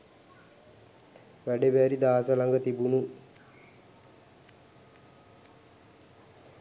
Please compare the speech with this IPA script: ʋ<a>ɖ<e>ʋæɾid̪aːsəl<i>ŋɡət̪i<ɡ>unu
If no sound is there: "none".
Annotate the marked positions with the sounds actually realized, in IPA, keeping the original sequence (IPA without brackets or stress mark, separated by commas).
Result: æ, e, a, b